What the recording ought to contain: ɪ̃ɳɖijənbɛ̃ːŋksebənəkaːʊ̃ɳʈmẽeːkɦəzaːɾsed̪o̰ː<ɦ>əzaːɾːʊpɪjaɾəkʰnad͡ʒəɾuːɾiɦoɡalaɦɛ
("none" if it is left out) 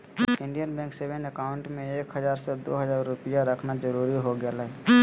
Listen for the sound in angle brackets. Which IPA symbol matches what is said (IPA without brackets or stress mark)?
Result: ɦ